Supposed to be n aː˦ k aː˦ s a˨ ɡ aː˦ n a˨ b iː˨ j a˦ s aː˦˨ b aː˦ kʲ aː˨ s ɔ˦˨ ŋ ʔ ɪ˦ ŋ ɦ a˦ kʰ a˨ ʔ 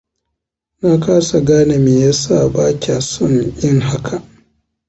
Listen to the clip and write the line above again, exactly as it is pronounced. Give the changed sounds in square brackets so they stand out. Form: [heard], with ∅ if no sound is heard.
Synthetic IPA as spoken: n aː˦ k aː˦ s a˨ ɡ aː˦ n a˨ [m] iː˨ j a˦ s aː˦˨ b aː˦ kʲ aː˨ s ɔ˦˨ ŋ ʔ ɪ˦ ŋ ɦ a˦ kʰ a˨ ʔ